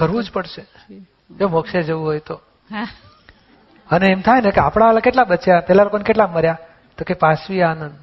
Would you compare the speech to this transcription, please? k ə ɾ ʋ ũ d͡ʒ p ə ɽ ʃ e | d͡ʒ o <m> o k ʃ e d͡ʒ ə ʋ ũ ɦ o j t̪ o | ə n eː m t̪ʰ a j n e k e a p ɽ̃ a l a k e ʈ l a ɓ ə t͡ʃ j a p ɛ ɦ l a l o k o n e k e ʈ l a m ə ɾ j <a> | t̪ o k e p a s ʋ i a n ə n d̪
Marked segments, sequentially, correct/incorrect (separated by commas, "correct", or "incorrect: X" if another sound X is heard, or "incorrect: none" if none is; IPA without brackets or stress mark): correct, correct